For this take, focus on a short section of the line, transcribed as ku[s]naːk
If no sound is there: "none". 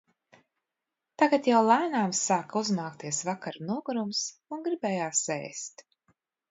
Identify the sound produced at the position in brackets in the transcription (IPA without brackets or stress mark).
z